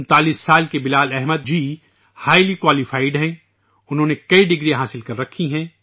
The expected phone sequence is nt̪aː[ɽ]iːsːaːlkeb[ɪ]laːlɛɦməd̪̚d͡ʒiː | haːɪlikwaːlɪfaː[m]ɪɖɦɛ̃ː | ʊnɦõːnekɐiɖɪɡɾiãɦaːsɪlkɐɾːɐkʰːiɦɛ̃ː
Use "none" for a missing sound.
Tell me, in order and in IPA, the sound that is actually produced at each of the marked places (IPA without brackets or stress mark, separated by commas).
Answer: l, ɪ, none